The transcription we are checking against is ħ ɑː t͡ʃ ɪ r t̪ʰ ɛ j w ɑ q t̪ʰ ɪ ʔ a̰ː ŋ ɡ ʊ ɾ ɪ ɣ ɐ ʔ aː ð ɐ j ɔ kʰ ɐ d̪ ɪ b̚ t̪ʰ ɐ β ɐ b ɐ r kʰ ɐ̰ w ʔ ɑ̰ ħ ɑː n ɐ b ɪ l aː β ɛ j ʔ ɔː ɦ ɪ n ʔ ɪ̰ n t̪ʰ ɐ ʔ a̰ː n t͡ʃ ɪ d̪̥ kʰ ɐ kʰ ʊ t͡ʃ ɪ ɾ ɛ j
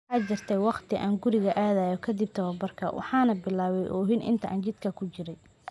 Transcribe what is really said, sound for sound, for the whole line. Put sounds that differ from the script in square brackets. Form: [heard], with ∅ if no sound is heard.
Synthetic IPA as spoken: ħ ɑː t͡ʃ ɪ r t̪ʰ ɛ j w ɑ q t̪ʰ ɪ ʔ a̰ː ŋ ɡ ʊ ɾ ɪ ɣ ɐ ʔ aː ð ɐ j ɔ kʰ ɐ d̪ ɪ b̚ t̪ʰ ɐ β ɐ b ɐ r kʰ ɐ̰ w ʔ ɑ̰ ħ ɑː n ɐ b ɪ l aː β ɛ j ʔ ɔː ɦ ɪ n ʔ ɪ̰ n t̪ʰ ɐ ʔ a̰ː n t͡ʃ ɪ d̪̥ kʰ ɐ kʰ ʊ t͡ʃ ɪ ɾ ɛ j